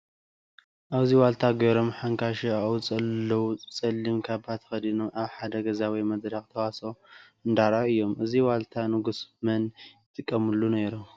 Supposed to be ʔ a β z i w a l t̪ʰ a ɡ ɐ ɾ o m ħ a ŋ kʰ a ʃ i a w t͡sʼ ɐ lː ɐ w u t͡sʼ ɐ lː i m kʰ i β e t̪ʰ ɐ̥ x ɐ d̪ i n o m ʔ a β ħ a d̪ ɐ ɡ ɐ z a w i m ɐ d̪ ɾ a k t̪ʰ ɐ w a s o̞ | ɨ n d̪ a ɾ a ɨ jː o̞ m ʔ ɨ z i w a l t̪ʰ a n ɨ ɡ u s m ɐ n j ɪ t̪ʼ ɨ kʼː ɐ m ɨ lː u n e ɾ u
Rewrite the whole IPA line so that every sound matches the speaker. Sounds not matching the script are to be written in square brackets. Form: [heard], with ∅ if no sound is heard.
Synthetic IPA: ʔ a β z i w a l t̪ʰ a ɡ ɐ ɾ o m ħ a ŋ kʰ a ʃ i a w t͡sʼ ɐ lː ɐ w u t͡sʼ ɐ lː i m kʰ [a] β [a] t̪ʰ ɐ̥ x ɐ d̪ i n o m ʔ a β ħ a d̪ ɐ ɡ ɐ z a w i m ɐ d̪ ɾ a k t̪ʰ ɐ w a s o̞ | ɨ n d̪ a ɾ a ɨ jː o̞ m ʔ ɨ z i w a l t̪ʰ a n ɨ ɡ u s m ɐ n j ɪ t̪ʼ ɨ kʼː ɐ m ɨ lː u n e ɾ u